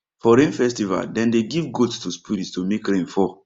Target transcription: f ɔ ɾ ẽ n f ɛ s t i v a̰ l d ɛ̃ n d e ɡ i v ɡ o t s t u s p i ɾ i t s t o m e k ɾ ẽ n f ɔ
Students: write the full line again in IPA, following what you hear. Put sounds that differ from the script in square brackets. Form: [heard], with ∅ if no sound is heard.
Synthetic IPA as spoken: f ɔ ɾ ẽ n f ɛ s t i v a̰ l d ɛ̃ n d e ɡ i v ɡ o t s t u s p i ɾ i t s t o m e k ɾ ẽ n f ɔ